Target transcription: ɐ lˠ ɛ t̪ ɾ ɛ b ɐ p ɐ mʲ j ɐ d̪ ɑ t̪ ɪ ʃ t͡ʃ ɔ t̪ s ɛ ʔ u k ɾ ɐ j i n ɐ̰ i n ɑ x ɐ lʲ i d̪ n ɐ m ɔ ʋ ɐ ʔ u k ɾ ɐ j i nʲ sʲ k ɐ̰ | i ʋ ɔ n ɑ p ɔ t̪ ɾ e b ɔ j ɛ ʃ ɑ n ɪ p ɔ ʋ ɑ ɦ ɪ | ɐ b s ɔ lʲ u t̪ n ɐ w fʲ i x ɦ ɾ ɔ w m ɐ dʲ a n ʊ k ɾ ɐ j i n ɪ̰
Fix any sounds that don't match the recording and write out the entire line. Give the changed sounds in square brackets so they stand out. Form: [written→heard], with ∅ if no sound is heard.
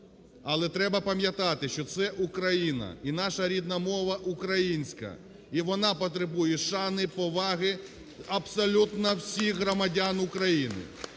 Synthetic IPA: ɐ lˠ ɛ t̪ ɾ ɛ b ɐ p ɐ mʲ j ɐ [d̪→t̪] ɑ t̪ ɪ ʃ t͡ʃ ɔ t̪ s ɛ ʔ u k ɾ ɐ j i n ɐ̰ i n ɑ [x→ʃ] ɐ [lʲ→ɾʲ] i d̪ n ɐ m ɔ ʋ ɐ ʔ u k ɾ ɐ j i nʲ sʲ k ɐ̰ | i ʋ ɔ n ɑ p ɔ t̪ ɾ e b [ɔ→u] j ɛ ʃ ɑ n ɪ p ɔ ʋ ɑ ɦ ɪ | ɐ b s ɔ lʲ u t̪ n ɐ w [fʲ→sʲ] i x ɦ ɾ ɔ [w→∅] m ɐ dʲ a n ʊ k ɾ ɐ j i n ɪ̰

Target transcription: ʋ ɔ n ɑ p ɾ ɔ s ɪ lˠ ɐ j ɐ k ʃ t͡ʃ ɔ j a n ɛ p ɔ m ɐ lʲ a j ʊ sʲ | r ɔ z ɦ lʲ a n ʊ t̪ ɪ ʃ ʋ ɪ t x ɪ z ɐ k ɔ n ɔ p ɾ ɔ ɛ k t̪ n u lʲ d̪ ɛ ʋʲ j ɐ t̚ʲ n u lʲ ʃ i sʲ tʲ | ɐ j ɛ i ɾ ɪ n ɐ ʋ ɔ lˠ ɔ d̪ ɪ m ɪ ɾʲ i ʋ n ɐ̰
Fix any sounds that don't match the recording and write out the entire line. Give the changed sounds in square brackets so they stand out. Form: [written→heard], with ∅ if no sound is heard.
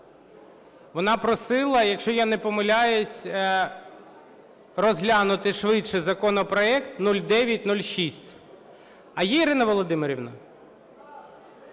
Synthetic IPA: ʋ ɔ n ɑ p ɾ ɔ s ɪ lˠ ɐ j ɐ k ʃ t͡ʃ ɔ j a n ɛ p ɔ m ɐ lʲ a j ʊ sʲ | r ɔ z ɦ lʲ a n ʊ t̪ ɪ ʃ ʋ ɪ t [x→ʃ] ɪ z ɐ k ɔ n ɔ p ɾ ɔ ɛ k t̪ n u lʲ d̪ ɛ ʋʲ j ɐ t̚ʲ n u lʲ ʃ i sʲ tʲ | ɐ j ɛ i ɾ ɪ n ɐ ʋ ɔ lˠ ɔ d̪ ɪ m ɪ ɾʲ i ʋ n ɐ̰

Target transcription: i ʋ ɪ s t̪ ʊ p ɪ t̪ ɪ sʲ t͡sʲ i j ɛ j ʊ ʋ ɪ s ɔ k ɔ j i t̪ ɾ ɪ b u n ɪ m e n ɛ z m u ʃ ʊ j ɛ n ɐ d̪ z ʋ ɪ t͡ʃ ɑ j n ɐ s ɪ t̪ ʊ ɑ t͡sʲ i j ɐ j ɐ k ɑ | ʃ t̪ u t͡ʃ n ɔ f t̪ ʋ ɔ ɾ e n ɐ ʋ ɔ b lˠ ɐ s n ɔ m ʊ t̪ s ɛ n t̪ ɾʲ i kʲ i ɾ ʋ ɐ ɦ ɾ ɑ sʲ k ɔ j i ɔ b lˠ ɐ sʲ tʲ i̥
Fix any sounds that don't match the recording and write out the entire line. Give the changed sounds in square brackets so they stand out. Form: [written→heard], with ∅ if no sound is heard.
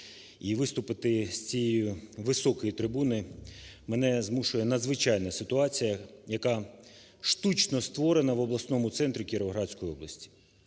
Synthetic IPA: i ʋ ɪ s t̪ ʊ p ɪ t̪ ɪ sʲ t͡sʲ i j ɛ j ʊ ʋ ɪ s ɔ k ɔ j i t̪ ɾ ɪ b u n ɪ m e n ɛ z m u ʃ ʊ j ɛ n ɐ d̪ z ʋ ɪ t͡ʃ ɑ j n ɐ s ɪ t̪ ʊ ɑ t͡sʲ i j ɐ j ɐ k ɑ | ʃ t̪ u t͡ʃ n ɔ [f→s] t̪ ʋ ɔ ɾ e n ɐ ʋ ɔ b lˠ ɐ s n ɔ m ʊ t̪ s ɛ n t̪ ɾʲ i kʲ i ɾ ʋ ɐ ɦ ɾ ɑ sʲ k ɔ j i ɔ b lˠ ɐ sʲ tʲ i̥

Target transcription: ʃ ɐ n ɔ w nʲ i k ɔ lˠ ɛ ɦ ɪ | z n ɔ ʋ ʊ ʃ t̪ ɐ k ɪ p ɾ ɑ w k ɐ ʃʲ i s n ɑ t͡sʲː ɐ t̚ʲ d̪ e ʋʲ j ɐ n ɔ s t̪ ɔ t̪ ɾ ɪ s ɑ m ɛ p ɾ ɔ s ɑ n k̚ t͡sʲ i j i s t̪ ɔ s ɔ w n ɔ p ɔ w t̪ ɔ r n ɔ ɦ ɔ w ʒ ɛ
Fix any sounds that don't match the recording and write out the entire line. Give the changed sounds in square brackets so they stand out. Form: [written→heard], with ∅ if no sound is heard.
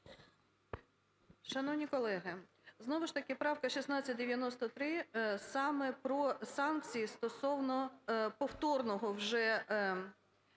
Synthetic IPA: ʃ ɐ n ɔ w nʲ i k ɔ lˠ ɛ ɦ ɪ | z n ɔ ʋ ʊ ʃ t̪ ɐ k ɪ p ɾ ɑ w k ɐ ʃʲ i s n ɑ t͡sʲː ɐ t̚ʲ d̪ e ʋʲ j ɐ n ɔ s t̪ ɔ t̪ ɾ ɪ s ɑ m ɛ p ɾ ɔ s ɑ n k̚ t͡sʲ i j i s t̪ ɔ s ɔ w n ɔ p ɔ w t̪ ɔ r n ɔ ɦ ɔ w ʒ ɛ

